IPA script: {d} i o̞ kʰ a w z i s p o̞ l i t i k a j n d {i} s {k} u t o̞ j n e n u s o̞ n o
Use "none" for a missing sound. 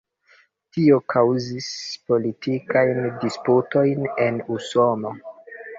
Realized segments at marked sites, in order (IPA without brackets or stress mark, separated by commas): t, i, p